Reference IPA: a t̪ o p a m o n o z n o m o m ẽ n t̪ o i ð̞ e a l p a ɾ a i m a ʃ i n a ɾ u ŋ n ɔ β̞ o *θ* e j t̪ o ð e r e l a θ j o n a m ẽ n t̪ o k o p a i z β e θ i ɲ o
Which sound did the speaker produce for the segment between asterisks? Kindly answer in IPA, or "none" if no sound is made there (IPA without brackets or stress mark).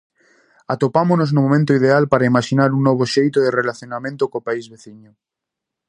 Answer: ʃ